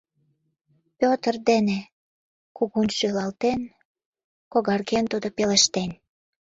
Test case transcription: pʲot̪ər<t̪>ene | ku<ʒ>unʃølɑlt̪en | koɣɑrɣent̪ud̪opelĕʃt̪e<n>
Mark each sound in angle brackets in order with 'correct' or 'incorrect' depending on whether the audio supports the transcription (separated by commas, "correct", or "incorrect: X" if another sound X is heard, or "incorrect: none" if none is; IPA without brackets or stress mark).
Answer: incorrect: d̪, incorrect: ɣ, correct